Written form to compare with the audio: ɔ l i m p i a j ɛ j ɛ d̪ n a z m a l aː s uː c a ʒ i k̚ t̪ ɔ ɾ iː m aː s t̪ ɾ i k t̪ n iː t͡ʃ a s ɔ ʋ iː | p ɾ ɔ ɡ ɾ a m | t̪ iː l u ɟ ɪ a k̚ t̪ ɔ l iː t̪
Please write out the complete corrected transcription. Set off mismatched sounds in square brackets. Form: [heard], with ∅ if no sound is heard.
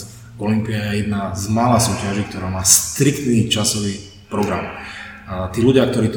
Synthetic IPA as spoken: ɔ l i m p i a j ɛ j ɛ d̪ n a z m a l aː s uː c a ʒ i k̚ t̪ ɔ ɾ [aː] m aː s t̪ ɾ i k t̪ n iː t͡ʃ a s ɔ ʋ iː | p ɾ ɔ ɡ ɾ a m | t̪ iː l u ɟ ɪ a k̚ t̪ ɔ [ɾ] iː t̪